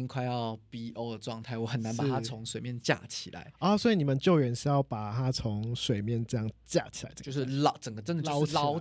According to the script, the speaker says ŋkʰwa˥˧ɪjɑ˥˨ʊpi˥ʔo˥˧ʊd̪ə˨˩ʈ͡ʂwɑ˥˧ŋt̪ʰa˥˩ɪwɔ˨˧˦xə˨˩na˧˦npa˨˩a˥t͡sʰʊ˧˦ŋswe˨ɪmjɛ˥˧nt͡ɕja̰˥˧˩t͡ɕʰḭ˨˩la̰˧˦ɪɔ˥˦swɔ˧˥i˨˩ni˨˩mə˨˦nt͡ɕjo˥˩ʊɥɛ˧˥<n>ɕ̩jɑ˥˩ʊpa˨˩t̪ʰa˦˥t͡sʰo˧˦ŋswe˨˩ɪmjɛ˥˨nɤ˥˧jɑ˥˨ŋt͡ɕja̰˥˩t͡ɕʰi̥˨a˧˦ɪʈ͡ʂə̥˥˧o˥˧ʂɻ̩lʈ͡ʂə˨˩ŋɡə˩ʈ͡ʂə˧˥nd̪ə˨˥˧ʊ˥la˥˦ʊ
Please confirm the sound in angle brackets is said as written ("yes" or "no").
yes